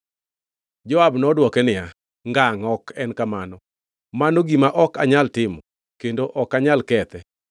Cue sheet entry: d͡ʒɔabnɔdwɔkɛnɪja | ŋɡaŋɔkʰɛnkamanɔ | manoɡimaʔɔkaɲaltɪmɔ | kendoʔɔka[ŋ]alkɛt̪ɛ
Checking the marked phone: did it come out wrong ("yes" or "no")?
yes